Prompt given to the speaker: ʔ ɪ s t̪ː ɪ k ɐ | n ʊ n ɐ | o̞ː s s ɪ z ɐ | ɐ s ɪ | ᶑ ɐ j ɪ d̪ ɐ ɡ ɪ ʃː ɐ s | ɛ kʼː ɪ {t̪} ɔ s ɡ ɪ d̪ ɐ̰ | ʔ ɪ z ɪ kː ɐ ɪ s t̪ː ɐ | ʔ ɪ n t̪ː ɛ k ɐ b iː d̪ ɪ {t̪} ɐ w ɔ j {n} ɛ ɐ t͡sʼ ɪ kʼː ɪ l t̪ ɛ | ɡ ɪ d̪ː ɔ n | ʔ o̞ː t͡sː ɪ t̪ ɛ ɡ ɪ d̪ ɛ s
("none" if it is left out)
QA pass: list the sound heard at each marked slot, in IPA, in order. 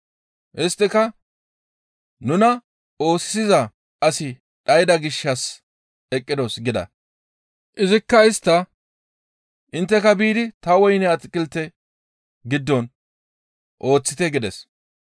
d̪, t̪, n

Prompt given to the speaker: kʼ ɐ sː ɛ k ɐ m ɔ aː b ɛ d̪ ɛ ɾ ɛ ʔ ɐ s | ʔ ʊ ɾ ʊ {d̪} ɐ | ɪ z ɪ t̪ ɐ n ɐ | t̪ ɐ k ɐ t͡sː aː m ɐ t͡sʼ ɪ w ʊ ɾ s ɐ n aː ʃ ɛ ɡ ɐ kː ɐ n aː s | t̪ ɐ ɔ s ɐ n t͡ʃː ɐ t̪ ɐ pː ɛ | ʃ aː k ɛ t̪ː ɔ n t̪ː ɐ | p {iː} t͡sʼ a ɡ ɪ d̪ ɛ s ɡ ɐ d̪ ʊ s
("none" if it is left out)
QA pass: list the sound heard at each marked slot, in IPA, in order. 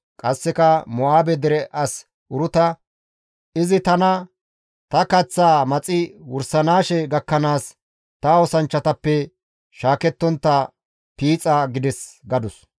t̪, iː

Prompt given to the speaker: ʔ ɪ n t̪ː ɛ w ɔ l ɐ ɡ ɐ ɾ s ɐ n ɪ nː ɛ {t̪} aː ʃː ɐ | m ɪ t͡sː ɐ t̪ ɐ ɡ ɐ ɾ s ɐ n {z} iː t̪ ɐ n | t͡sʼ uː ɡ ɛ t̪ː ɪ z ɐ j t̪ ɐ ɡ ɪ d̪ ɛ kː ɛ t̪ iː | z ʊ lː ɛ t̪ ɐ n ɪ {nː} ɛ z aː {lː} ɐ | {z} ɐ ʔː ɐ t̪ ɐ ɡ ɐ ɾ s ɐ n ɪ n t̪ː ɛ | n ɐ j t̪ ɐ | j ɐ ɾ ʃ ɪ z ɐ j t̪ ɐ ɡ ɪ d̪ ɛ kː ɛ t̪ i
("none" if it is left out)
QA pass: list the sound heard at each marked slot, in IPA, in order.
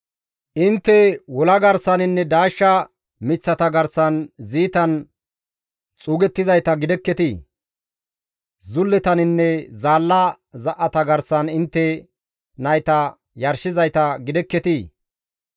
d̪, z, nː, lː, z

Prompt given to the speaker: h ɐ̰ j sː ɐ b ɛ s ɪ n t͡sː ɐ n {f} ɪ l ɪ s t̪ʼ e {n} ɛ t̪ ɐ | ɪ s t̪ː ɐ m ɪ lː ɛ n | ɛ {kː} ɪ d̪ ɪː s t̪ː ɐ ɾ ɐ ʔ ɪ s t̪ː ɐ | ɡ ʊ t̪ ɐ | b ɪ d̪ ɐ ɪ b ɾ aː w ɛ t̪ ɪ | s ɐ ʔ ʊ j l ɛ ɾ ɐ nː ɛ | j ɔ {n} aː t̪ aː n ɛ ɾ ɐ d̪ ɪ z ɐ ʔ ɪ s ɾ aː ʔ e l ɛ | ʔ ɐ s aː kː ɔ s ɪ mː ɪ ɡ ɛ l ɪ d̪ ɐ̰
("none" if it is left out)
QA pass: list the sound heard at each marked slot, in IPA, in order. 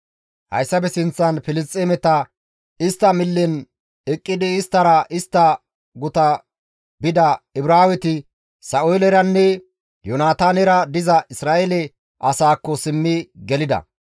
f, m, kʼː, n

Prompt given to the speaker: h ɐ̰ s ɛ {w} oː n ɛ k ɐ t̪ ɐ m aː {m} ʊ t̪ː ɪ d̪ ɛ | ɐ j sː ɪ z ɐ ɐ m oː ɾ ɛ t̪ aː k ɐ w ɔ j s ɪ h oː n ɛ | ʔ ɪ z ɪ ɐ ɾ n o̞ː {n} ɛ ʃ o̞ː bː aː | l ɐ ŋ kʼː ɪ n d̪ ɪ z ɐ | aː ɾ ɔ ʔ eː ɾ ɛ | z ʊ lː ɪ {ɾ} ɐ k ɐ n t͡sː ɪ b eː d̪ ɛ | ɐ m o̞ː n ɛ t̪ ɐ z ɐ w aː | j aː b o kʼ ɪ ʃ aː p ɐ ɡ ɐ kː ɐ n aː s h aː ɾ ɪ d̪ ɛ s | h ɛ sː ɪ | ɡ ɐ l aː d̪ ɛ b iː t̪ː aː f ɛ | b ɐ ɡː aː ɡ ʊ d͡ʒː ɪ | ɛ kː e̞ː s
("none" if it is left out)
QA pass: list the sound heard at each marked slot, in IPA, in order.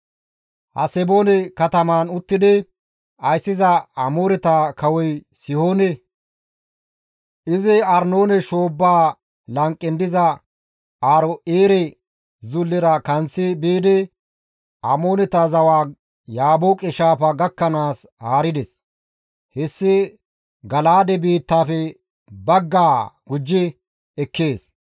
b, n, n, ɾ

